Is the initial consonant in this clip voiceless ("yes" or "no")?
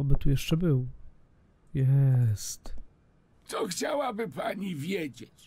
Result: no